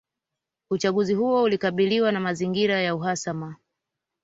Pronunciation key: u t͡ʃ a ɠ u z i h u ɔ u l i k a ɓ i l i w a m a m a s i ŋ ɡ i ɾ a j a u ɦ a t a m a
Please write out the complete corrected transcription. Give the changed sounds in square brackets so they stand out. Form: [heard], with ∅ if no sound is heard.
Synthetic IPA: u t͡ʃ a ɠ u z i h u ɔ u l i k a ɓ i l i w a [n] a m a [z] i ŋ ɡ i ɾ a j a u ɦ a [s] a m a

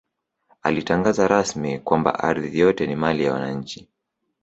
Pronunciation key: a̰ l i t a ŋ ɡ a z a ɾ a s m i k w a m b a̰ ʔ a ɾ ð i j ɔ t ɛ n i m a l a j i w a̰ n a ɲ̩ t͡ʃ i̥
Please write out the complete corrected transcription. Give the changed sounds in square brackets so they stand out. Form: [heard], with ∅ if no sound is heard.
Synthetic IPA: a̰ l i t a ŋ ɡ a z a ɾ a s m i k w a m b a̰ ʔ a ɾ ð i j ɔ t ɛ n i m a l [i] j [a] w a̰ n a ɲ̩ t͡ʃ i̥

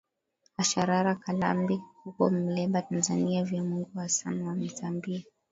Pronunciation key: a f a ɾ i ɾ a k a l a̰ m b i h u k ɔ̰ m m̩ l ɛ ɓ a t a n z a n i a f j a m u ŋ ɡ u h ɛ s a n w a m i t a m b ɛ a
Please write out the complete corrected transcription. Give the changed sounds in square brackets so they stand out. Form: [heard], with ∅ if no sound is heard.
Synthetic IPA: a [ʃ] a ɾ [a] ɾ a k a l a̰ m b i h u k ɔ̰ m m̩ l ɛ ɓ a t a n z a n i a [v] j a m u ŋ ɡ u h [a] s a n w a m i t a m b [i] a

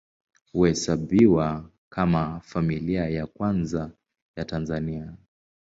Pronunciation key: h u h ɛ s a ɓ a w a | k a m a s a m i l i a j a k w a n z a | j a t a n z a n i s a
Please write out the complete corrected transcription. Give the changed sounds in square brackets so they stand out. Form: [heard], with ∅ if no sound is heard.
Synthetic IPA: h u h ɛ s a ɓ [i] w a | k a m a [f] a m i l i a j a k w a n z a | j a t a n z a n i [∅] a

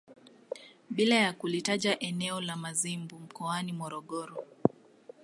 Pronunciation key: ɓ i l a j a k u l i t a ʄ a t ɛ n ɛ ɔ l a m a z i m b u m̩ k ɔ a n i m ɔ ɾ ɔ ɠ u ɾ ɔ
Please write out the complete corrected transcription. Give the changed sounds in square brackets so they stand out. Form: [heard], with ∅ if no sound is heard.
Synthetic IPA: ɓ i l a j a k u l i t a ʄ a [ʔ] ɛ n ɛ ɔ l a m a z i m b u m̩ k ɔ a n i m ɔ ɾ ɔ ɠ [ɔ] ɾ ɔ

